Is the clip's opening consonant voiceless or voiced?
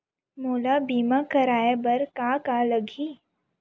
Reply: voiced